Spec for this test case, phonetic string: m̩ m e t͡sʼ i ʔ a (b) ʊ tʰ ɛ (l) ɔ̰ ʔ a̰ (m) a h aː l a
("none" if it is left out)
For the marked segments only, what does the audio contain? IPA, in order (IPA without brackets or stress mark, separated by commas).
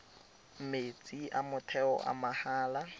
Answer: m, none, m